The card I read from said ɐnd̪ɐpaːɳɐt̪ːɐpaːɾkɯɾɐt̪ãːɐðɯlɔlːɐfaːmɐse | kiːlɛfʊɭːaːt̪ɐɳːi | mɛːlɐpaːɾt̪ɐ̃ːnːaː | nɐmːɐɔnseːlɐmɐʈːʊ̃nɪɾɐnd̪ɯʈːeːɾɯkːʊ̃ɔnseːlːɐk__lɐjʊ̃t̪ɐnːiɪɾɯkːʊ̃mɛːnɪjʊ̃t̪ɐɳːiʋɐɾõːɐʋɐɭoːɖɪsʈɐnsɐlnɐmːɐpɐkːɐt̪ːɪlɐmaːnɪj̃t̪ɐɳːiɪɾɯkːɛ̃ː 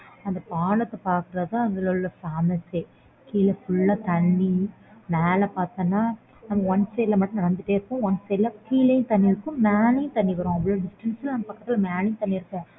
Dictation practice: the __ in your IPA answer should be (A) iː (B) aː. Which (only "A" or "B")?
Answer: A